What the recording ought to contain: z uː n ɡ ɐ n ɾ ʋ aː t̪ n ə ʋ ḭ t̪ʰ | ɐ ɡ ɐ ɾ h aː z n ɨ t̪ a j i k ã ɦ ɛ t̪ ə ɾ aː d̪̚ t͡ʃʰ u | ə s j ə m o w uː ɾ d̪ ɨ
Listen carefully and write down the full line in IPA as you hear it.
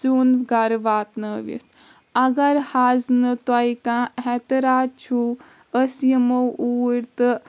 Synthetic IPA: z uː n ɡ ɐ ɾ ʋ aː t̪ n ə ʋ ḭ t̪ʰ | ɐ ɡ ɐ ɾ h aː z n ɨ t̪ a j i k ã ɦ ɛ t̪ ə ɾ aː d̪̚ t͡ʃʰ u | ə s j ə m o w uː ɾ t̪ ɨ

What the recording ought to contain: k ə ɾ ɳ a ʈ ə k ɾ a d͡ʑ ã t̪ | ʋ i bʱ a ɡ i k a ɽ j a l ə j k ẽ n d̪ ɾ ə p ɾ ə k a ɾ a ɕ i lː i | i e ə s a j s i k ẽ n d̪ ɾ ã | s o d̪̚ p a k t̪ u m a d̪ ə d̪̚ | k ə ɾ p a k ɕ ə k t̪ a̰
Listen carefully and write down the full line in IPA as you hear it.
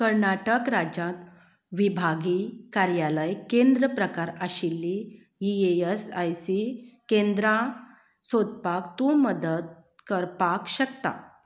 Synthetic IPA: k ə ɾ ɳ a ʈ ə k ɾ a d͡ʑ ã t̪ | ʋ i bʱ a ɡ i k a ɾ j a l ə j k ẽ n d̪ ɾ ə p ɾ ə k a ɾ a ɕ i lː i | i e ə s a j s i k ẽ n d̪ ɾ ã | s o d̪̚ p a k t̪ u m ə d̪ ə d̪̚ | k ə ɾ p a k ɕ ə k t̪ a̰

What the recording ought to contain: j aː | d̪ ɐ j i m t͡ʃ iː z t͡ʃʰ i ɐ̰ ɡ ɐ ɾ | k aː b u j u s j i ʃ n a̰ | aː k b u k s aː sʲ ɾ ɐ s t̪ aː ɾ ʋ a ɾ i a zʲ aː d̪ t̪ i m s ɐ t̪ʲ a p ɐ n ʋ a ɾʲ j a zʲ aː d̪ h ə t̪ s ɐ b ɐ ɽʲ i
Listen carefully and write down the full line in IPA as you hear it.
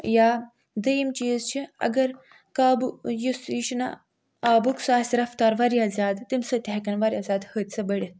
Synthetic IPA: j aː | d̪ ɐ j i m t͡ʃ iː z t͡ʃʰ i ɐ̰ ɡ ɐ ɾ | k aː b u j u s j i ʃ n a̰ | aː b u k s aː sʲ ɾ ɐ f t̪ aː ɾ ʋ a ɾ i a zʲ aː d̪ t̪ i m s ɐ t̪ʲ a k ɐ n ʋ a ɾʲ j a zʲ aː d̪ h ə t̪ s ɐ b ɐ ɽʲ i

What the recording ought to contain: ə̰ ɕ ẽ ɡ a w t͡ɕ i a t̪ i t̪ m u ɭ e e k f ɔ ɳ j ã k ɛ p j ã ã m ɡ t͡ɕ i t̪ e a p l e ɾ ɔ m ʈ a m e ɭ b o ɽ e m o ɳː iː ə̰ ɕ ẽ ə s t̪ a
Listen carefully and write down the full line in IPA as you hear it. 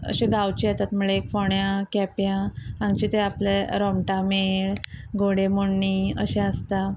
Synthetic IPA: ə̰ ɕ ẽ ɡ a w t͡ɕ i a t̪ a t̪ m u ɭ e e k f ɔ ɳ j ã k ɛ p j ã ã ŋ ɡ t͡ɕ i t̪ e a p l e ɾ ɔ m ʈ a m e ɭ ɡ o ɽ e m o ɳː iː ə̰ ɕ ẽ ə s t̪ a

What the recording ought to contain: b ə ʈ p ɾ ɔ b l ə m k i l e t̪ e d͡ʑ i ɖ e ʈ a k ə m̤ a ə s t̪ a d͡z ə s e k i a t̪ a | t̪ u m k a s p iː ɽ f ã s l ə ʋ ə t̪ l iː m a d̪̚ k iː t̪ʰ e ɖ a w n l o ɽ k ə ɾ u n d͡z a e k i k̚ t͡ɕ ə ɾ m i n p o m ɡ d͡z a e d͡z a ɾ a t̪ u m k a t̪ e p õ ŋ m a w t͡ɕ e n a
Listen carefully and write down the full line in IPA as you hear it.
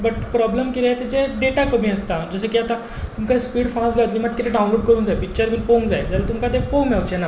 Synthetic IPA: b ə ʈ p ɾ ɔ b l ə m k i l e t̪ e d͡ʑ e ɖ e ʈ a k ə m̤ i ə s t̪ a d͡z ə s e k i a t̪ a | t̪ u m k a s p iː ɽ f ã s l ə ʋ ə t̪ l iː m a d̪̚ k i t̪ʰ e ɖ a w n l o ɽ k ə ɾ uː n d͡z a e p i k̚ t͡ɕ ə ɾ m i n p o ŋ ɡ d͡z a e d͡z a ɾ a t̪ u m k a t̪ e p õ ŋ m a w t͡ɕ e n a

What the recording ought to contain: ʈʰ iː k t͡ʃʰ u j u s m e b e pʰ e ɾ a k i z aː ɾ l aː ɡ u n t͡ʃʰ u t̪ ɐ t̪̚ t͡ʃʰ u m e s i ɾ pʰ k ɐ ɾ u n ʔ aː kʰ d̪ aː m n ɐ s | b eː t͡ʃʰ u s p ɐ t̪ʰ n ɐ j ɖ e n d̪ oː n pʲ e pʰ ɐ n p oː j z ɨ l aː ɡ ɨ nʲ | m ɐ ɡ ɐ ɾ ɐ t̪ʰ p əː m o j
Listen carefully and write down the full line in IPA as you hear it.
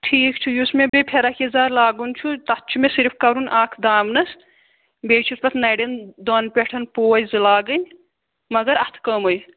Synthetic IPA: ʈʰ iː k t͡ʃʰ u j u s m e b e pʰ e ɾ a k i z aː ɾ l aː ɡ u n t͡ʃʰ u t̪ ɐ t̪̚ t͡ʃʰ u m e s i ɾ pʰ k ɐ ɾ u n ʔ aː kʰ d̪ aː m n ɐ s | b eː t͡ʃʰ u s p ɐ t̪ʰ n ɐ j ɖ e n d̪ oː n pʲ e ʈʰ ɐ n p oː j z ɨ l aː ɡ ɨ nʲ | m ɐ ɡ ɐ ɾ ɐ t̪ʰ k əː m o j

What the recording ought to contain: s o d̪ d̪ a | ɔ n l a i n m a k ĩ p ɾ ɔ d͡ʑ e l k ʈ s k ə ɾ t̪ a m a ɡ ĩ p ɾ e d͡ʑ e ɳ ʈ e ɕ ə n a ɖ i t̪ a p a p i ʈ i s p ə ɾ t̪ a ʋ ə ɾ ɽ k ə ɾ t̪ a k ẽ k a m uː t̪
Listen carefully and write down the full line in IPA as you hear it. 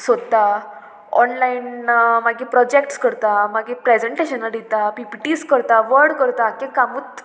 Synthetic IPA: s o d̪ t̪ a | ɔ n l a i n m a ɡ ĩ p ɾ ɔ d͡ʑ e k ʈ s k ə ɾ t̪ a m a ɡ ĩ p ɾ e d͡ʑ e ɳ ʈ e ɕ ə n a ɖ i t̪ a p i p i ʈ i s k ə ɾ t̪ a ʋ ə ɾ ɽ k ə ɾ t̪ a k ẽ k a m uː t̪

